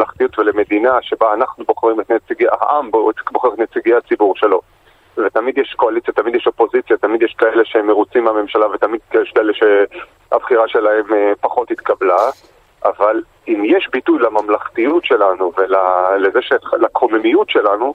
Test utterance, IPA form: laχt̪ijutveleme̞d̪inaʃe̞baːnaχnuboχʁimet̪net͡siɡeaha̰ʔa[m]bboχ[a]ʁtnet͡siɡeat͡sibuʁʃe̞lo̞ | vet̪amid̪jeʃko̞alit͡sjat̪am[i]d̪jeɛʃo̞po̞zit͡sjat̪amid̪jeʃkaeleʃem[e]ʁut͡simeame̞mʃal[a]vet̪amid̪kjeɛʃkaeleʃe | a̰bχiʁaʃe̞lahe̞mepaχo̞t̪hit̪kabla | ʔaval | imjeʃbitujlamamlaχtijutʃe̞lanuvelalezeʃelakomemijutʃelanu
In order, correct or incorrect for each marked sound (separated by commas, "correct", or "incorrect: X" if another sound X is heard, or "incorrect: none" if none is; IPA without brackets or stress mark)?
correct, incorrect: e, correct, correct, correct